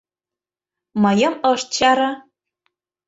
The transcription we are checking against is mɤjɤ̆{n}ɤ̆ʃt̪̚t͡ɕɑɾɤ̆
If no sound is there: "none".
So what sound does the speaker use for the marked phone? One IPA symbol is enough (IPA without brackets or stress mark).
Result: m